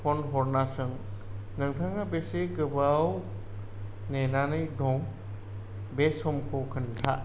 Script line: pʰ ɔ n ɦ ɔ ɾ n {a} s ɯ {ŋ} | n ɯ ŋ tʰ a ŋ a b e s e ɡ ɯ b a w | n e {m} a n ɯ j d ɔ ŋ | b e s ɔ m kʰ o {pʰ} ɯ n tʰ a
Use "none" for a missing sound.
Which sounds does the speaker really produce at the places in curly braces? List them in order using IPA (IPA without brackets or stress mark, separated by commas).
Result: a, ŋ, n, kʰ